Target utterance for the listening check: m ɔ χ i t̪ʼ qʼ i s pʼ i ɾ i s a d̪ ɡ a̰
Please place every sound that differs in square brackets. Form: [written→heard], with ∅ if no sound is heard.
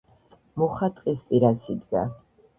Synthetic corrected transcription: m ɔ χ [i→a] t̪ʼ qʼ i s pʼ i ɾ [i→a] s [a→i] d̪ ɡ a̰